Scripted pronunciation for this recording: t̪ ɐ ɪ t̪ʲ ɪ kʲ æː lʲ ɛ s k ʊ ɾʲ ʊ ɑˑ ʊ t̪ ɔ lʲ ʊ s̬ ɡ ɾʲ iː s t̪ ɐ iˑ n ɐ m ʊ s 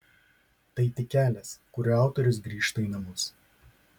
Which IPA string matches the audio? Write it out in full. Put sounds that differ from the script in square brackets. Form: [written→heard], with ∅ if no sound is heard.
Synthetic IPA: t̪ ɐ ɪ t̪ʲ ɪ kʲ æː lʲ ɛ s k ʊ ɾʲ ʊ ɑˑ ʊ t̪ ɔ [lʲ→ɾʲ] ʊ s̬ ɡ ɾʲ iː [s→ʃ] t̪ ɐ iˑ n ɐ m ʊ s